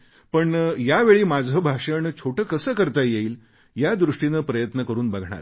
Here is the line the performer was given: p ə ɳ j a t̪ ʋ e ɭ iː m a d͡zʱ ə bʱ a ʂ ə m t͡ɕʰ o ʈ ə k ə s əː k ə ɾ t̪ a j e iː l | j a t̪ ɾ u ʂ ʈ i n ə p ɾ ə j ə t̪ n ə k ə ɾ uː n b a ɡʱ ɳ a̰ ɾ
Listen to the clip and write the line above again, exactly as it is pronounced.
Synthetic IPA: p ə ɳ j a ʋ e ɭ iː m a d͡zʱ ə bʱ a ʂ ə ɳ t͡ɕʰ o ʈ ə k ə s əː k ə ɾ t̪ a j e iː l | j a d̪ ɾ u ʂ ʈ i n ə p ɾ ə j ə t̪ n ə k ə ɾ uː n b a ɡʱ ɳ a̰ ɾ